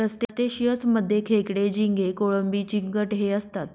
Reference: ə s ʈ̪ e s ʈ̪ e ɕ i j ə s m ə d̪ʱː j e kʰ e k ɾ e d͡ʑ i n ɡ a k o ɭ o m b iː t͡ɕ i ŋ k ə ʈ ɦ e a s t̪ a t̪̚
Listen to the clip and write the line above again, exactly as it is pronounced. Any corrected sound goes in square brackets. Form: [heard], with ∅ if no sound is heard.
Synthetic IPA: ə s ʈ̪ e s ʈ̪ e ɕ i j ə s m ə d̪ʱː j e kʰ e k [ɽ] e d͡ʑ i [ŋ] ɡ [e] k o ɭ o m b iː t͡ɕ i ŋ k ə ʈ ɦ e [ə] s t̪ a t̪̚

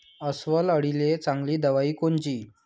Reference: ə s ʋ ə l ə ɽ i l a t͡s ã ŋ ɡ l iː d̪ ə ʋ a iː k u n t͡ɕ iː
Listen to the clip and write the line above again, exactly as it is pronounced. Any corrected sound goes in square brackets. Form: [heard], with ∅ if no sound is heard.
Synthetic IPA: ə s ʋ ə l ə ɽ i l [e] t͡s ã ŋ ɡ l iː d̪ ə ʋ a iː k [o] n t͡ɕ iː

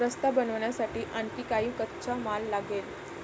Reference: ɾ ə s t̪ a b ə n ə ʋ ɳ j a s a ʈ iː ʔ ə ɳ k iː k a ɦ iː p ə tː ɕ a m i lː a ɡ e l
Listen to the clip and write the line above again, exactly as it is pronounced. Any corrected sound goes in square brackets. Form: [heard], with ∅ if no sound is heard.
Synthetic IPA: ɾ ə s t̪ a b ə n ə ʋ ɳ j a s a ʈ iː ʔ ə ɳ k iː k a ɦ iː [k] ə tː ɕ a m [a] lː a ɡ e l

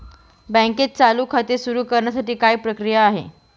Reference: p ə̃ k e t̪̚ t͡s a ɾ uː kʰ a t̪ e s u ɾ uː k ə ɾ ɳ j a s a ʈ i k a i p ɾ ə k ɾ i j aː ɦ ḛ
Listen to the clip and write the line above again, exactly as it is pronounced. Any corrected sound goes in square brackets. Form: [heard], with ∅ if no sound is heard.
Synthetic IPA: [b] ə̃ k e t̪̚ t͡s a [l] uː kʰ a t̪ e s u ɾ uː k ə ɾ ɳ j a s a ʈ [iː] k a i p ɾ ə k ɾ i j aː ɦ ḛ

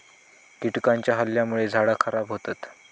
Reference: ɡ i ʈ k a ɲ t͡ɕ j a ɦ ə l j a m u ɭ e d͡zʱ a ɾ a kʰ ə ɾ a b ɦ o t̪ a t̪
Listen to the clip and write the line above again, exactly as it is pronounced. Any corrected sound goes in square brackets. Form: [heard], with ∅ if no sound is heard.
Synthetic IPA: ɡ i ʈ k a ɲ t͡ɕ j a ɦ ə l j a m u ɭ e d͡zʱ a [ɽ] a kʰ ə ɾ a b ɦ o t̪ a t̪

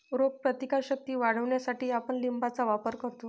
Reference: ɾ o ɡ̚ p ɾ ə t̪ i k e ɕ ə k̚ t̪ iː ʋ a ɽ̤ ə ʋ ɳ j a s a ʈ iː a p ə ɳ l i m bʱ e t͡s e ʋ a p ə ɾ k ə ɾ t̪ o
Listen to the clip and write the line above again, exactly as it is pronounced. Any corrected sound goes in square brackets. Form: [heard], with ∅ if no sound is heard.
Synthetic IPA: ɾ o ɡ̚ p ɾ ə t̪ i k [a] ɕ ə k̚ t̪ iː ʋ a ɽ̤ ə ʋ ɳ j a s a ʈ iː a p ə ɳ l i m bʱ [a] t͡s [a] ʋ a p ə ɾ k ə ɾ t̪ o

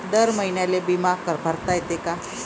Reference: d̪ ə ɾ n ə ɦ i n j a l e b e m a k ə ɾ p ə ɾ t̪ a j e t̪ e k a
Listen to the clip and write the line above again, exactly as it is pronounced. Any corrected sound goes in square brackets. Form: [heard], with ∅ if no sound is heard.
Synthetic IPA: d̪ ə ɾ [m] ə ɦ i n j a l e b [i] m a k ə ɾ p ə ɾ t̪ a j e t̪ e k a

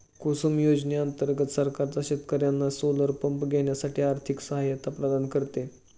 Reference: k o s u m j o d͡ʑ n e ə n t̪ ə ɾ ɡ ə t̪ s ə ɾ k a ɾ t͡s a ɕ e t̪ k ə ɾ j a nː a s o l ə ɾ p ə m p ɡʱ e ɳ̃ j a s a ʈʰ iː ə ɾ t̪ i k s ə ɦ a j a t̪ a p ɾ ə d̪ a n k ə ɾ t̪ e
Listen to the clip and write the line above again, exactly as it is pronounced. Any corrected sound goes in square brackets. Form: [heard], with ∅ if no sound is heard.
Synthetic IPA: k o s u m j o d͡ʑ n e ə n t̪ ə ɾ ɡ ə t̪ s ə ɾ k a ɾ t͡s a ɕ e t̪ k ə ɾ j a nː a s o l ə ɾ p ə m p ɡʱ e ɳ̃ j a s a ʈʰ iː [a] ɾ [t̪ʰ] i k s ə ɦ a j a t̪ a p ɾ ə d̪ a n k ə ɾ t̪ e

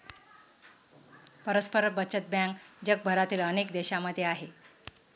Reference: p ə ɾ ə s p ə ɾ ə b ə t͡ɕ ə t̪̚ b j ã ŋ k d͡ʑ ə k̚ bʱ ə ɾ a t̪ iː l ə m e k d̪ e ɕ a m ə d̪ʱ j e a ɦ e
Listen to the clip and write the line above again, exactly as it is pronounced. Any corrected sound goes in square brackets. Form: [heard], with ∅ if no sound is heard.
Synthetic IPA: p ə ɾ ə s p ə ɾ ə b ə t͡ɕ ə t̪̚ b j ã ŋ k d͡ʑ ə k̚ bʱ ə ɾ a t̪ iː l ə [n] e k d̪ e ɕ a m ə d̪ʱ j e a ɦ e

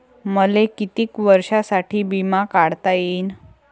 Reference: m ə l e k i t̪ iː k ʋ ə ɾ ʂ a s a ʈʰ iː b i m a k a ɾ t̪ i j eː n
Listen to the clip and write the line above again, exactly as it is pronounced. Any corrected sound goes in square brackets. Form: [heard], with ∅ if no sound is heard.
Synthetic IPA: m ə l e k i t̪ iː k ʋ ə ɾ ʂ a s a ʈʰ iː b i m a k a [ɽ] t̪ [a] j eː n

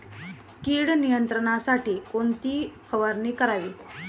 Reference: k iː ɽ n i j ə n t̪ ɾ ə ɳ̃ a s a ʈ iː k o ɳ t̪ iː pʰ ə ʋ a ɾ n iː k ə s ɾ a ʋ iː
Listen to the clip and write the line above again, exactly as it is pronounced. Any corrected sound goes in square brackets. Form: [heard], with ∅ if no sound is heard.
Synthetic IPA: k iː ɽ n i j ə n t̪ ɾ ə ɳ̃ a s a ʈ iː k o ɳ t̪ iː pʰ ə ʋ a ɾ n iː k ə [∅] ɾ a ʋ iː

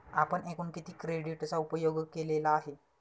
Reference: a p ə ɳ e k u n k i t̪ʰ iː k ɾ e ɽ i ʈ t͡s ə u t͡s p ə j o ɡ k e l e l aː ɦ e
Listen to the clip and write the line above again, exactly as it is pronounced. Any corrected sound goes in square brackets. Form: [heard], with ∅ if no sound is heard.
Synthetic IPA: a p ə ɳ e k [uː] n k i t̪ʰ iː k ɾ e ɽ i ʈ t͡s [a] u [∅] p ə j o ɡ k e l e l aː ɦ e

